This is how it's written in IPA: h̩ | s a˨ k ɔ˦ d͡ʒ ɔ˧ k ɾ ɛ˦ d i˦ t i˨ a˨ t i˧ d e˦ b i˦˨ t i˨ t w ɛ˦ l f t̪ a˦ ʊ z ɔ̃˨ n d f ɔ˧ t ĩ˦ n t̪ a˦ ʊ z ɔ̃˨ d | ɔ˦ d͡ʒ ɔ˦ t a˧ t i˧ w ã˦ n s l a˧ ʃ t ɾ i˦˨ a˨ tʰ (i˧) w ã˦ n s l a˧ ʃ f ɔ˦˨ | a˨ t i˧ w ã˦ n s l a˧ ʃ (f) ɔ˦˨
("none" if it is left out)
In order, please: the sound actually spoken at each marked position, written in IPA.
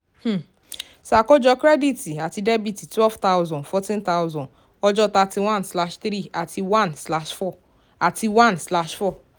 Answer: i˧, f

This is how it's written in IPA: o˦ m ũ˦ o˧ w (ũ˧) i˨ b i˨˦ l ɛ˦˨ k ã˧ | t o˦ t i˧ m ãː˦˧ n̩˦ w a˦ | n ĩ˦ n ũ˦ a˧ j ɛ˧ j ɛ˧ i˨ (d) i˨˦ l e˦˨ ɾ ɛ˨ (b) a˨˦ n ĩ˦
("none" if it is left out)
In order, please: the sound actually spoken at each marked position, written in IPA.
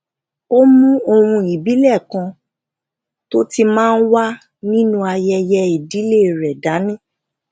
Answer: ũ˧, d, d

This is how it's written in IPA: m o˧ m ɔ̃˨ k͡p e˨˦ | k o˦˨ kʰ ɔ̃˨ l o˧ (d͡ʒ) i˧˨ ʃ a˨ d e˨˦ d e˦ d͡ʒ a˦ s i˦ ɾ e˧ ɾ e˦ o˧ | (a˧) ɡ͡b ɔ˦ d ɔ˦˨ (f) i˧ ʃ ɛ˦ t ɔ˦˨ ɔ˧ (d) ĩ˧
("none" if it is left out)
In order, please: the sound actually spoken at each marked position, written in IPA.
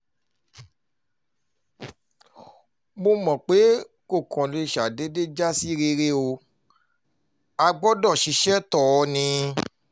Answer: none, a˧, ʃ, n

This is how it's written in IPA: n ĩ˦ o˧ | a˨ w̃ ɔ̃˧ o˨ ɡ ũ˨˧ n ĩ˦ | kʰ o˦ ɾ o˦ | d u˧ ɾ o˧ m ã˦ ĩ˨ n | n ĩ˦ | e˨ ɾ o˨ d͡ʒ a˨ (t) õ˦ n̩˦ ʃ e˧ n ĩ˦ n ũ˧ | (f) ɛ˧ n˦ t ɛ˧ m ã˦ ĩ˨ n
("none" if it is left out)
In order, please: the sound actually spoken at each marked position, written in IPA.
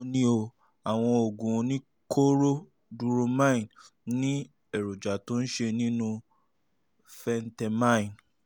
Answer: t, f

